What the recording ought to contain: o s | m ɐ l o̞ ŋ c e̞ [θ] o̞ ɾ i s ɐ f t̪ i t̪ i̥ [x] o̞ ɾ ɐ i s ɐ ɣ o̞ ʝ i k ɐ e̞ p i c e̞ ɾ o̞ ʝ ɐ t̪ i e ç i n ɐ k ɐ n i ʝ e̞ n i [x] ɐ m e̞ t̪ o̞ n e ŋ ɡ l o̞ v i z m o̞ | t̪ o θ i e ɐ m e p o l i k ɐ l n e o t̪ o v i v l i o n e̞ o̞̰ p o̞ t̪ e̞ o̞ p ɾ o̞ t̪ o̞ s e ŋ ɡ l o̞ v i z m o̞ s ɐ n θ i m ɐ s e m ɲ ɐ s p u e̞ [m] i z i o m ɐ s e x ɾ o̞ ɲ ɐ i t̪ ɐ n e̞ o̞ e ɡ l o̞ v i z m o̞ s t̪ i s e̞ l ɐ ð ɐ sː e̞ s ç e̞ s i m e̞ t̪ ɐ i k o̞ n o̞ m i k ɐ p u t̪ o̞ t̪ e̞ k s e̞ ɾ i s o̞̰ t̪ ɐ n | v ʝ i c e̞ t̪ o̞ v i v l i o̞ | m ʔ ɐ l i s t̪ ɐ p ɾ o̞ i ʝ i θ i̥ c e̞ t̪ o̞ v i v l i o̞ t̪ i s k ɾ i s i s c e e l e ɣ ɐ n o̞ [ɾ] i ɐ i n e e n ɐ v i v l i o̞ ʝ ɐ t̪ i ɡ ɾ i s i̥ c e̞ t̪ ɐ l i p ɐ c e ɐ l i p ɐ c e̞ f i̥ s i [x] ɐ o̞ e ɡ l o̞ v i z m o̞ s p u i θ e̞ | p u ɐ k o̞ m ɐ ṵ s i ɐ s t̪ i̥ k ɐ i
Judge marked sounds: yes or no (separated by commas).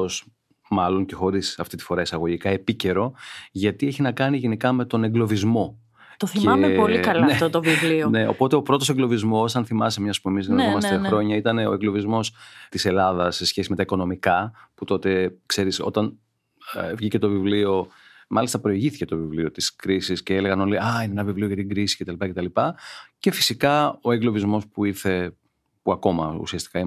no, no, no, yes, no, no